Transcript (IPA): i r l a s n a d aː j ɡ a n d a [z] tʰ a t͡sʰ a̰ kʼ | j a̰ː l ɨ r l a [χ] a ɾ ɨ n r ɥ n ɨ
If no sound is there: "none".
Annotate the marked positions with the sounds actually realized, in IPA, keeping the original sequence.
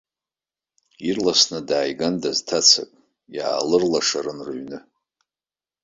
z, ʂ

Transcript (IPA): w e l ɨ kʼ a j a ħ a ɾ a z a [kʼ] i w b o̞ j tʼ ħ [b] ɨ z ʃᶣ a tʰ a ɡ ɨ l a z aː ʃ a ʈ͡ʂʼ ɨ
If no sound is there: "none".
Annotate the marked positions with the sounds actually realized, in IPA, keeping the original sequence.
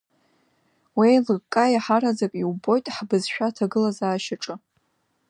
kʼ, b

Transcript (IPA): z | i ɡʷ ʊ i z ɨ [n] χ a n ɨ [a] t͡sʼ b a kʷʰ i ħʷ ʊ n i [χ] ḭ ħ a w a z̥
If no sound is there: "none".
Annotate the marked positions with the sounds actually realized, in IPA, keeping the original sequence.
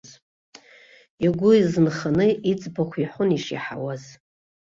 n, i, ʂ

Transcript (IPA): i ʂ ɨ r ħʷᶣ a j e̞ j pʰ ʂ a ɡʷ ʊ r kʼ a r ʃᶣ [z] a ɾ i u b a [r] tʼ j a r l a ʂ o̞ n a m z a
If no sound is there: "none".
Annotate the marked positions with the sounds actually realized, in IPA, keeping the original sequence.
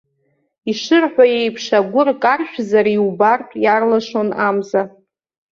z, r

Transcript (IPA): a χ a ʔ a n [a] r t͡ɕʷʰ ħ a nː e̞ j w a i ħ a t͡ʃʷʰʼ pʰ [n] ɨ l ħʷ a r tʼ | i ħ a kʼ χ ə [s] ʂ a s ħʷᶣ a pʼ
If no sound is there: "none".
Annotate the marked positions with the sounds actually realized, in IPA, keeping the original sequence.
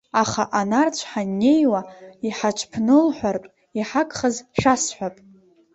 a, n, z

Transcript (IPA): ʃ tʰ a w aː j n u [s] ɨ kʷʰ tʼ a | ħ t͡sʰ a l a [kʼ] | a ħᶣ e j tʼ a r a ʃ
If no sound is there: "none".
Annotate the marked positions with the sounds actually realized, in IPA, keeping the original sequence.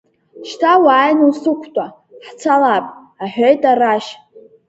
s, pʼ

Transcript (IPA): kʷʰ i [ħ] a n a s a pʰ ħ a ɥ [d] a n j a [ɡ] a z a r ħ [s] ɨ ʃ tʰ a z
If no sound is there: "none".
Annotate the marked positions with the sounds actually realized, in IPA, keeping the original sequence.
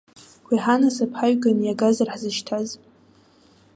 ħ, ɡ, ɡ, z

